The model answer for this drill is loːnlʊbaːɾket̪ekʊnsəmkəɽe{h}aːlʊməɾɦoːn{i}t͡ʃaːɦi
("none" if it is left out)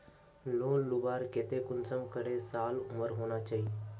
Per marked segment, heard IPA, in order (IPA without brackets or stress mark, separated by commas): s, a